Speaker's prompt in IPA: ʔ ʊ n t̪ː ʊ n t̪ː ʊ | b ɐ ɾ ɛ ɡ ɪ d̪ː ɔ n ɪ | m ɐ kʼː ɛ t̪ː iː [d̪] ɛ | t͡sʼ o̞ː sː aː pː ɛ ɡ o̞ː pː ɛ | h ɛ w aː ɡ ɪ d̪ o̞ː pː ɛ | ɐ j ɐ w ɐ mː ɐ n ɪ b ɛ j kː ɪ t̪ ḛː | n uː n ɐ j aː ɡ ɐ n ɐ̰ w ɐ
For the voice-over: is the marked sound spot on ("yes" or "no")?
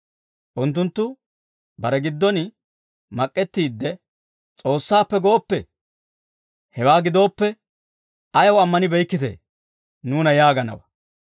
no